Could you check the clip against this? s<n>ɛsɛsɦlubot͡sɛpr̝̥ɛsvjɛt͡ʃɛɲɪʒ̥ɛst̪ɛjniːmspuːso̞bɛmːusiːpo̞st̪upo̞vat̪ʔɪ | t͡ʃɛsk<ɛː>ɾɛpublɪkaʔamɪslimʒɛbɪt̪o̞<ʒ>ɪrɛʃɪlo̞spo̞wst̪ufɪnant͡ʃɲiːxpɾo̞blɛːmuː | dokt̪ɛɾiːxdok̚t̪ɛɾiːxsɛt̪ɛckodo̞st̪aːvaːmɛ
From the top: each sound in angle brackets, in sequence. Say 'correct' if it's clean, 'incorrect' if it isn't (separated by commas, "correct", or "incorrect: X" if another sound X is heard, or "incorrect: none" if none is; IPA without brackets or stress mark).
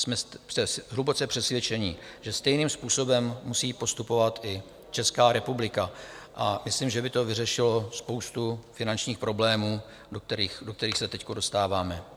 incorrect: m, incorrect: aː, incorrect: v